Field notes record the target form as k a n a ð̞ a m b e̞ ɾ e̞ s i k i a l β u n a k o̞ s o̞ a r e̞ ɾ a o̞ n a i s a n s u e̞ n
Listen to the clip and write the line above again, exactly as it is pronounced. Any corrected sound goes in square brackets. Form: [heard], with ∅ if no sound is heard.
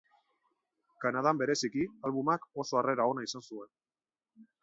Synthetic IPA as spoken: k a n a ð̞ a m b e̞ ɾ e̞ s i k i a l β u [m] a k o̞ s o̞ a r e̞ ɾ a o̞ n a i s a n s u e̞ n